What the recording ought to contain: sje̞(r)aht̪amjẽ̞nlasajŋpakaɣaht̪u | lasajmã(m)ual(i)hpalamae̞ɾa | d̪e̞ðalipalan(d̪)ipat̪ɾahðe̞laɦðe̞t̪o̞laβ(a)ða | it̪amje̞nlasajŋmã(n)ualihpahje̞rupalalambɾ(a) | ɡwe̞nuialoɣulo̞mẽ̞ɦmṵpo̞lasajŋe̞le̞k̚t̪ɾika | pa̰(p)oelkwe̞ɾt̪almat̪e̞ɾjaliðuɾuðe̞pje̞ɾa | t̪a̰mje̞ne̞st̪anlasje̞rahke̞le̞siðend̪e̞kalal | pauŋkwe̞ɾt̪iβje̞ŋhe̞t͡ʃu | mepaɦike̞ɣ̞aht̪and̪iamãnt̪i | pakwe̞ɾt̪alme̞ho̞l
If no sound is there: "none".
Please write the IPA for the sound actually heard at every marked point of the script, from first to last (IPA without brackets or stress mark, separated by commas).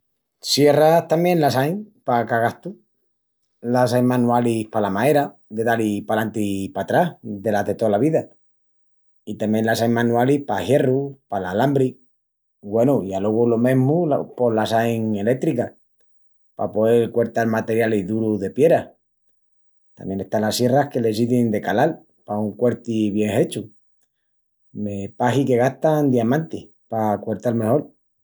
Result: r, n, i, t̪, i, n, i, p